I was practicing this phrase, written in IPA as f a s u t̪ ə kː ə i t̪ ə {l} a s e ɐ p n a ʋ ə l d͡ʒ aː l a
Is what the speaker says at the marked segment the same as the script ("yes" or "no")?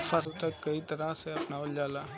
no